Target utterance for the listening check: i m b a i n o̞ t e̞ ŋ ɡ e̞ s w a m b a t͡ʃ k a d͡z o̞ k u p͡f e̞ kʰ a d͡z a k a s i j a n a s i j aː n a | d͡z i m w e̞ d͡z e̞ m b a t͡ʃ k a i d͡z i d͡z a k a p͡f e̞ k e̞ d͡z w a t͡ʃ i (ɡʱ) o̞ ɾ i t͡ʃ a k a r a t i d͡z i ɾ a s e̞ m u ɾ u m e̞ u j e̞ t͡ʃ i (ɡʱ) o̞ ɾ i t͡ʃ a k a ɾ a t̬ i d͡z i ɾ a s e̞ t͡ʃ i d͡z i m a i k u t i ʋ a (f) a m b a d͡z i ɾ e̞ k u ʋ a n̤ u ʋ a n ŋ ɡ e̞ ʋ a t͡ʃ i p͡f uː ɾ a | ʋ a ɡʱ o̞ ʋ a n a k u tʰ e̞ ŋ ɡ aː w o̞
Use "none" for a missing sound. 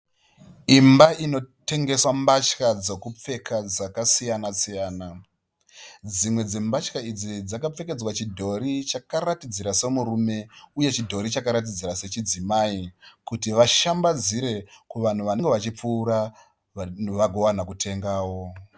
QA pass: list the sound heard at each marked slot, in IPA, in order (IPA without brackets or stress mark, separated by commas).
dʱ, dʱ, ʃ